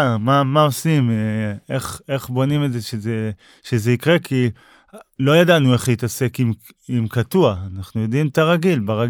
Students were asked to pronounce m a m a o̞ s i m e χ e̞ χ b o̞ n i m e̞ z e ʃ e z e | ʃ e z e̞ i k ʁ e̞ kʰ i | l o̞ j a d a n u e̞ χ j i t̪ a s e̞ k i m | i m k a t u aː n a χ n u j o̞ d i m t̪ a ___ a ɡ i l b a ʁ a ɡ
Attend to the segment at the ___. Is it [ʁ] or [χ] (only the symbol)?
ʁ